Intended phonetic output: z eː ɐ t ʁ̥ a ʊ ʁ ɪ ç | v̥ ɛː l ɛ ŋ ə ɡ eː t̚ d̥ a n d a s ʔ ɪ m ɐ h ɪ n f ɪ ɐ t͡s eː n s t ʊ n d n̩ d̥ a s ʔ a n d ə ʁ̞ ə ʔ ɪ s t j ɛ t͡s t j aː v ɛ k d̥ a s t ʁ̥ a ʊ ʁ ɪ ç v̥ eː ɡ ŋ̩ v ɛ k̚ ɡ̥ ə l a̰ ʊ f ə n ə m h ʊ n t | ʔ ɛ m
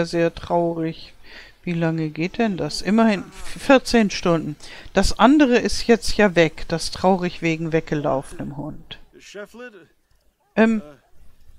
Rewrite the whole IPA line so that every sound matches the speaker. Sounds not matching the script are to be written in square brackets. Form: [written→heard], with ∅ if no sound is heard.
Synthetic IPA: z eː ɐ t ʁ̥ a ʊ ʁ ɪ ç | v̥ [ɛː→iː] l [ɛ→a] ŋ ə ɡ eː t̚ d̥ [a→ɛ] n d a s ʔ ɪ m ɐ h ɪ n f ɪ ɐ t͡s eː n [s→ʃ] t ʊ n d n̩ d̥ a s ʔ a n d ə ʁ̞ ə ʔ ɪ s t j ɛ t͡s t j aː v ɛ k d̥ a s t ʁ̥ a ʊ ʁ ɪ ç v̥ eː ɡ ŋ̩ v ɛ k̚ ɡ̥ ə l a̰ ʊ f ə n ə m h ʊ n t | ʔ ɛ m